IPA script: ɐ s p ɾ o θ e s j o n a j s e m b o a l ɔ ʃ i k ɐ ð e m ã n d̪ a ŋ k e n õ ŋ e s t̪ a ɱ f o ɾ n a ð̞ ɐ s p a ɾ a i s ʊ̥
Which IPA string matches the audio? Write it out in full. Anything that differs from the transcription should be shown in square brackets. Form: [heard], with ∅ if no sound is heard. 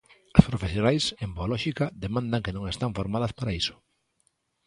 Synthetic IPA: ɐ s p ɾ o [f] e s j o n a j s e m b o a l ɔ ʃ i k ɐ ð e m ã n d̪ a ŋ k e n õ ŋ e s t̪ a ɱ f o ɾ [m] a ð̞ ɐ s p a ɾ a i s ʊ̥